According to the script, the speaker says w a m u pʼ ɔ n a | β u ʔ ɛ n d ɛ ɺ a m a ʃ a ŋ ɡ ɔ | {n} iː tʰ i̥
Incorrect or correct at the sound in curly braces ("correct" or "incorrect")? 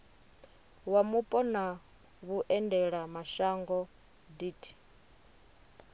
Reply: incorrect